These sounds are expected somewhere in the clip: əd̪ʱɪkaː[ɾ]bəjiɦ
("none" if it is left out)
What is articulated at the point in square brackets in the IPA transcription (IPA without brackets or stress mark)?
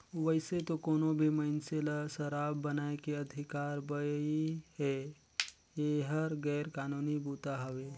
ɾ